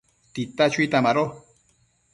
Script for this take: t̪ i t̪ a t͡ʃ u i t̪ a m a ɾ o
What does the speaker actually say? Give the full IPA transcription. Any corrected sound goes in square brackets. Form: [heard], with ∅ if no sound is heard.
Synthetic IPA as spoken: t̪ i t̪ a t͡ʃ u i t̪ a m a ɾ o